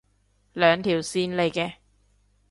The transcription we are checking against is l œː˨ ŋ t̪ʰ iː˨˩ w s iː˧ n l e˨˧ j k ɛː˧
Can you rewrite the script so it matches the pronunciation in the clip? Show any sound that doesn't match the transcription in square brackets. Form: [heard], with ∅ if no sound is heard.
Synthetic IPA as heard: l œː˨ ŋ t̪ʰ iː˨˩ w s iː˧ n l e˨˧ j k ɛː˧